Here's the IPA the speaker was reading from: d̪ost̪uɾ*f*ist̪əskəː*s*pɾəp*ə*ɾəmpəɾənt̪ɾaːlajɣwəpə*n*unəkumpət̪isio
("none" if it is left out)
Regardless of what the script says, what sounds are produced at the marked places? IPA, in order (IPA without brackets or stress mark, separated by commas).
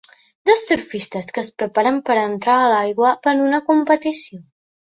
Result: f, s, a, n